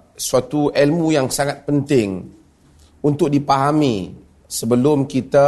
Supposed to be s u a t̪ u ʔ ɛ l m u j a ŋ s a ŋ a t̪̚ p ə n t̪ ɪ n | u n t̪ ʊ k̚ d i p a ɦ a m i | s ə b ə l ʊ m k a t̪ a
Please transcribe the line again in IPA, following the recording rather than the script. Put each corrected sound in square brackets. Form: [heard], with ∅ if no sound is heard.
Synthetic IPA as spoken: s u a t̪ u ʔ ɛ l m u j a ŋ s a ŋ a t̪̚ p ə n t̪ ɪ [ŋ] | u n t̪ ʊ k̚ d i p a ɦ a m i | s ə b ə l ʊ m k [i] t̪ a